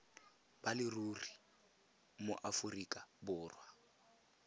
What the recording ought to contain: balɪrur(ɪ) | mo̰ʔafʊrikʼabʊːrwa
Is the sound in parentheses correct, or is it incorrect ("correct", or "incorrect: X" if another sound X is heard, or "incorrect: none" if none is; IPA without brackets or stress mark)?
incorrect: i